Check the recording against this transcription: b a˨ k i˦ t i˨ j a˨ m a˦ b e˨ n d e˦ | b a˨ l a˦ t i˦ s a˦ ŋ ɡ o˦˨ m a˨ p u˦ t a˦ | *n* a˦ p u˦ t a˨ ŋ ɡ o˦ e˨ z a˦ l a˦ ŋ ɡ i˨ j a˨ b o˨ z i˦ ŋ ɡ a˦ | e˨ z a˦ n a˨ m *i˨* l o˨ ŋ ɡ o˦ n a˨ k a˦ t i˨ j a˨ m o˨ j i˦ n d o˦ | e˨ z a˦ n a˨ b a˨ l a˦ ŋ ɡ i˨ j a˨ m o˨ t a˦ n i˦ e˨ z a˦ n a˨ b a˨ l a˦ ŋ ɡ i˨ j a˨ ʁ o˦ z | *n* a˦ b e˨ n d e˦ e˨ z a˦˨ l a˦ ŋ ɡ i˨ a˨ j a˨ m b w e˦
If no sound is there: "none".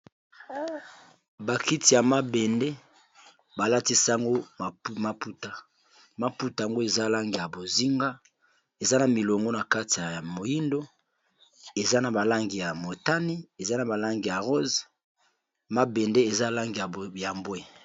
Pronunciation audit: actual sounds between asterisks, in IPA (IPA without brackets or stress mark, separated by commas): m, i˨, m